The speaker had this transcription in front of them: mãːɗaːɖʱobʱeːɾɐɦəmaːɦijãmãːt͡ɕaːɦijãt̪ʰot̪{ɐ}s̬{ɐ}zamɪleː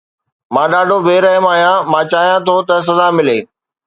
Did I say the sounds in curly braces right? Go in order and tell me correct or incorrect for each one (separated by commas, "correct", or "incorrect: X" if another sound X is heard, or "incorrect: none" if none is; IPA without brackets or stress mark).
correct, correct